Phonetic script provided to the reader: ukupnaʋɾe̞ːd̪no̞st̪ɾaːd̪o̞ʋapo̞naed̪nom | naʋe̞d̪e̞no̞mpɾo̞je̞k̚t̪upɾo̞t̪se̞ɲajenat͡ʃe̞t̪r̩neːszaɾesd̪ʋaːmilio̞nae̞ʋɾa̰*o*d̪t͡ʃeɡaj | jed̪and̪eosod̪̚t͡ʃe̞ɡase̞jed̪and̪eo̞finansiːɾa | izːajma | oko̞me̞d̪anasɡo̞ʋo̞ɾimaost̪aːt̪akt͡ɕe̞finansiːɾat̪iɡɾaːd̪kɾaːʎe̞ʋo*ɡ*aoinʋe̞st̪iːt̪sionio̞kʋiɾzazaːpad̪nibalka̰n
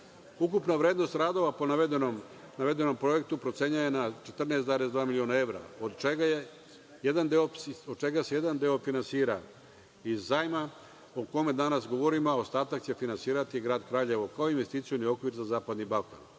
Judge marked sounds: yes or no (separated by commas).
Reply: yes, no